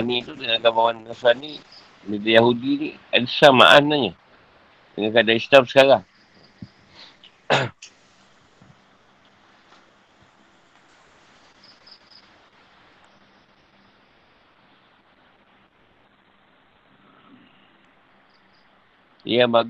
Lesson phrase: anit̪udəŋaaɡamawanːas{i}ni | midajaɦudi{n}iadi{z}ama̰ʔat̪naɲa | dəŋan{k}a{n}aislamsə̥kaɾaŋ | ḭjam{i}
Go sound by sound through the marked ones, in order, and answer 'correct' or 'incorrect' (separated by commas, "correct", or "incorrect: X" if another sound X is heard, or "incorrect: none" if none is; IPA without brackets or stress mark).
incorrect: a, correct, incorrect: s, correct, incorrect: d, incorrect: a